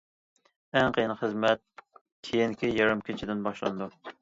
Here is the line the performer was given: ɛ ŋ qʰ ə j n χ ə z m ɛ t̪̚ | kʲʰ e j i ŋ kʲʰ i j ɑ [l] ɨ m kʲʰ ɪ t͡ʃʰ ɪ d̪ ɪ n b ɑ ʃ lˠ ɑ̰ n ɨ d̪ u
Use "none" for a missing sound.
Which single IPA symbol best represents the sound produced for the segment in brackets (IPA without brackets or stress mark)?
ɾ